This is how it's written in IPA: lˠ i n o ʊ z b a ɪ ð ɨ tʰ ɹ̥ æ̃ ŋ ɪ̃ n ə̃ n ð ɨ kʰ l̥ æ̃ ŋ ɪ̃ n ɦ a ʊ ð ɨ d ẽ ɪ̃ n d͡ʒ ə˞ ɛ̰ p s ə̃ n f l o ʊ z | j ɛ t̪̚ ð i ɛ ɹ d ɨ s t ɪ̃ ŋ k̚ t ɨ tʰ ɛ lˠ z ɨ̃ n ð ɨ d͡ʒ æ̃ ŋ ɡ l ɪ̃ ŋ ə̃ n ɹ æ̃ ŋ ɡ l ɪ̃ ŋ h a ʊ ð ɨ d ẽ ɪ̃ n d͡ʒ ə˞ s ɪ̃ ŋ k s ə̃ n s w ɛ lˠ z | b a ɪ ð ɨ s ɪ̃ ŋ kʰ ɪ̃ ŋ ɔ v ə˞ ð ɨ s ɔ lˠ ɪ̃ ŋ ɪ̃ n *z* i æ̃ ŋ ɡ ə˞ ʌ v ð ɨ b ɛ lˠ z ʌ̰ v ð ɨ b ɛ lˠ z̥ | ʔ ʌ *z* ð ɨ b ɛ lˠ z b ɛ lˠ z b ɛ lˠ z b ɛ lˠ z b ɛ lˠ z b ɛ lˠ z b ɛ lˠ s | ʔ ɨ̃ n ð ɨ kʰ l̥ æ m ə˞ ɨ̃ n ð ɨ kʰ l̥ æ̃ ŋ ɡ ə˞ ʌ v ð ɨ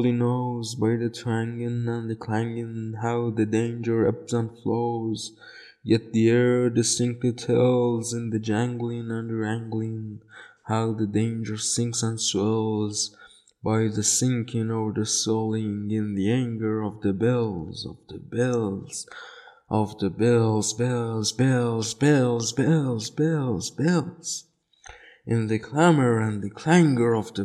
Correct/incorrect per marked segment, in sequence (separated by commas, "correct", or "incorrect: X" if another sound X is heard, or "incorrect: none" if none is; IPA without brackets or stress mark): incorrect: ð, incorrect: v